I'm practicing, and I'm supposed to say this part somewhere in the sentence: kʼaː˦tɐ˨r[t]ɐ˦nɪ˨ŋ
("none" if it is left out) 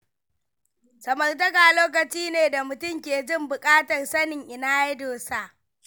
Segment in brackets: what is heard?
s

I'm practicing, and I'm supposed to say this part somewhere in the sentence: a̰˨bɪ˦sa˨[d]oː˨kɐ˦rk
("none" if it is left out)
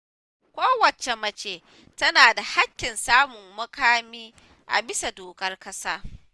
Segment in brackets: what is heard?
d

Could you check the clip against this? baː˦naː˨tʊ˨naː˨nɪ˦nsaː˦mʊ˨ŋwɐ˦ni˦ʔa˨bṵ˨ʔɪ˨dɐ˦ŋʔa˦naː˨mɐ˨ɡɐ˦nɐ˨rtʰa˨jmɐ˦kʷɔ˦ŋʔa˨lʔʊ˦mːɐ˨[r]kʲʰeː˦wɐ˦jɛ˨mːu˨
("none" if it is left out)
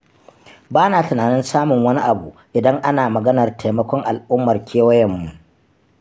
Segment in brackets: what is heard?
r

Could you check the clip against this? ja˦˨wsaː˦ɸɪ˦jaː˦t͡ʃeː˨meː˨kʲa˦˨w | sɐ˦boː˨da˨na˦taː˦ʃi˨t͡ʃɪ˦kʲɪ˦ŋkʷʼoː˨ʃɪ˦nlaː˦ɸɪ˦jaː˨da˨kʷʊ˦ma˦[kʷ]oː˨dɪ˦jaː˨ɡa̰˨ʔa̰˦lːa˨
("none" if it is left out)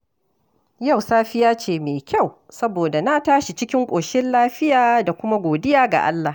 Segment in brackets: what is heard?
ɡʷ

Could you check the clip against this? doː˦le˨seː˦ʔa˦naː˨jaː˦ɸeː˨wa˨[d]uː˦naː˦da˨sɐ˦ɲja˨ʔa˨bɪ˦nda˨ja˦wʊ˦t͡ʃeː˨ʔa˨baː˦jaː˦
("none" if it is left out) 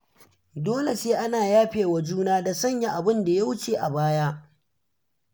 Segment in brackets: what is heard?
d͡ʒ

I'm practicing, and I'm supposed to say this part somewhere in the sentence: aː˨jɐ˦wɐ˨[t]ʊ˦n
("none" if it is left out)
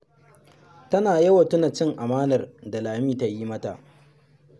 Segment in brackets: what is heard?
t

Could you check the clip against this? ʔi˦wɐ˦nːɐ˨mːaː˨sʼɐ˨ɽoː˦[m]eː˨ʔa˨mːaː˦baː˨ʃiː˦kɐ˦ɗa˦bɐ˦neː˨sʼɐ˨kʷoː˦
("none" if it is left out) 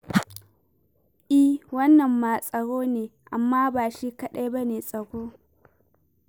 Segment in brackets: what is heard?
n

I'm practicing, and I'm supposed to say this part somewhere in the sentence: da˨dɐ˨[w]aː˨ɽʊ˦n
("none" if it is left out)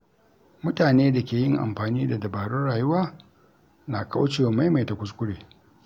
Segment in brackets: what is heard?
b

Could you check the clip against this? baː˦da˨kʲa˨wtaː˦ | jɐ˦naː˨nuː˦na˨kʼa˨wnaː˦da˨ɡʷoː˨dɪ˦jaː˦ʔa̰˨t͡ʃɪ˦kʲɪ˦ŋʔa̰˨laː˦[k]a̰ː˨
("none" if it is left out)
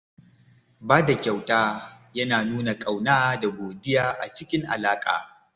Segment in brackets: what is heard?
kʼ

